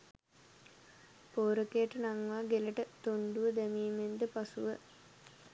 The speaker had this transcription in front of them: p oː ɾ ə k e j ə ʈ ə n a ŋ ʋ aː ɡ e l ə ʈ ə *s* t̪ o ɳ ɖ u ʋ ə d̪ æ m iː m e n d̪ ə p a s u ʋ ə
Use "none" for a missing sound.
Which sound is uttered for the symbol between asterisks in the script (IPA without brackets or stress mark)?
none